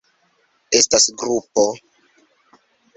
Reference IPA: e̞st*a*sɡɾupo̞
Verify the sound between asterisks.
correct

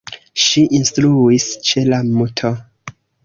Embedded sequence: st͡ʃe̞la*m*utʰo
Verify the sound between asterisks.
correct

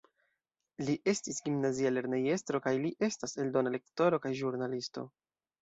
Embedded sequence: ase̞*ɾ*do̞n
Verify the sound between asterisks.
incorrect: l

